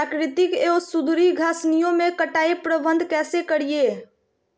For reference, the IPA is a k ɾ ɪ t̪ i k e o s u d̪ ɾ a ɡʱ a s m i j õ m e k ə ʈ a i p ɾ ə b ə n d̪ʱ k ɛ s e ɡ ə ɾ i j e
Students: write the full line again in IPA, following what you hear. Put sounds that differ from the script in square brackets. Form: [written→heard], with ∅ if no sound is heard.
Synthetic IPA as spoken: a k ɾ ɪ t̪ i k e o s u d̪ ɾ [a→i] ɡʱ a s [m→n] i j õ m e k ə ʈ a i p ɾ ə b ə n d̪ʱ k ɛ s e [ɡ→k] ə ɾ i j e